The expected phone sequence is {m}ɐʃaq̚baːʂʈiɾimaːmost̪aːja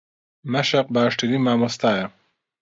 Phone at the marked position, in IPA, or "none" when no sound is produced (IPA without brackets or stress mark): m